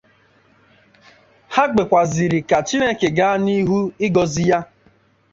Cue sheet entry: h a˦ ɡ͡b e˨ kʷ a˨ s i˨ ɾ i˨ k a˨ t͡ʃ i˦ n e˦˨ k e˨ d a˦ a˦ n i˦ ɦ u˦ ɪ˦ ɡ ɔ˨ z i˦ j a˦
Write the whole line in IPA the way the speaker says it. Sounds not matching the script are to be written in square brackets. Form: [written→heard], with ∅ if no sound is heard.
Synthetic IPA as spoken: h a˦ ɡ͡b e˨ kʷ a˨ [s→z] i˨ ɾ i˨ k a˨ t͡ʃ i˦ n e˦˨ k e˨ [d→ɡ] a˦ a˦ n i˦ ɦ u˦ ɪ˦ ɡ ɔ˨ z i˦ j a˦